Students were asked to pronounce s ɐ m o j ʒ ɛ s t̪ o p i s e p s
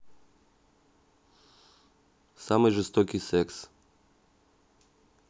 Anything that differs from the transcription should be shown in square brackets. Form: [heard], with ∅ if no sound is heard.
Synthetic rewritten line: s [a] m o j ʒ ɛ s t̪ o [k] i s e [k] s